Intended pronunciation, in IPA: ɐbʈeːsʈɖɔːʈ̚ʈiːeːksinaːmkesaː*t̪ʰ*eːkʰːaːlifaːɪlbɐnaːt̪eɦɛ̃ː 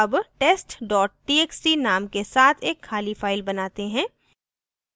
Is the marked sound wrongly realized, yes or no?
no